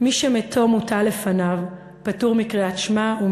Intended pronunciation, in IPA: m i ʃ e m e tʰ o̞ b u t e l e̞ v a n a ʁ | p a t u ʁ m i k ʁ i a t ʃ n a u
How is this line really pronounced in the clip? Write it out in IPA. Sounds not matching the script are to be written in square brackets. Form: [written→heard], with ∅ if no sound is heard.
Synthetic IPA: m i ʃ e m e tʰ o̞ [b→m] u t [e→a] l e̞ [v→f] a n a [ʁ→v] | p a t u ʁ m i k ʁ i a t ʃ [n→m] a u